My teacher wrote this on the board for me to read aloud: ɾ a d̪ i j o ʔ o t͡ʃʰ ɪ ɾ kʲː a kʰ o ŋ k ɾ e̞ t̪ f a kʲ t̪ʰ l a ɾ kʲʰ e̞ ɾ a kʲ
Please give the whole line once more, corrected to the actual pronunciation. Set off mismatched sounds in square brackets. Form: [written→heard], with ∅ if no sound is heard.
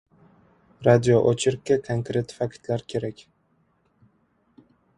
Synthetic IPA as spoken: ɾ a d̪ i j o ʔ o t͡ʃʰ ɪ ɾ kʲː a kʰ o ŋ k ɾ e̞ t̪ f a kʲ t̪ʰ l a ɾ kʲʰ e̞ ɾ a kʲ